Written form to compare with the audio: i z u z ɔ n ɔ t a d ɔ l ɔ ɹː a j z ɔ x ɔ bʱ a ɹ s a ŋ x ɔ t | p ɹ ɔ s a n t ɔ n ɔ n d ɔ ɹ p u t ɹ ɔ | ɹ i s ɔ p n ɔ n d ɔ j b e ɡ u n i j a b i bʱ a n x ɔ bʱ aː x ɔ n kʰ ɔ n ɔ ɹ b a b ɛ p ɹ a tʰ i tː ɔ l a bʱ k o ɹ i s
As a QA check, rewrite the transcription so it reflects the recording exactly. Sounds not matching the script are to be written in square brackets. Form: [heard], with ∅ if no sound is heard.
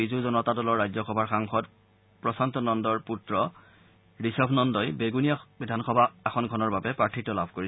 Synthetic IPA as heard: i z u z ɔ n ɔ t a d ɔ l ɔ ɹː a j z ɔ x ɔ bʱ a ɹ [x] a ŋ x ɔ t | p ɹ ɔ s a n t ɔ n ɔ n d ɔ ɹ p u t ɹ ɔ | ɹ i s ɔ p n ɔ n d ɔ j b e ɡ u n i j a b i [dʱ] a n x ɔ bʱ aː x ɔ n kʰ ɔ n ɔ ɹ b a b ɛ p ɹ a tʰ i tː ɔ l a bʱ k o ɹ i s